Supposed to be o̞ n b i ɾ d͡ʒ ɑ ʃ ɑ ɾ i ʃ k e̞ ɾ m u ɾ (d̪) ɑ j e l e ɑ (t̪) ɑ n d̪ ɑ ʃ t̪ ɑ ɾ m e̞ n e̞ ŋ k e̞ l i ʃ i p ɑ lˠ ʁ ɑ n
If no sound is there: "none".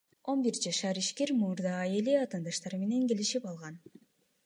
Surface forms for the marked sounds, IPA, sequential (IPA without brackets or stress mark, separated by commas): d̪, t̪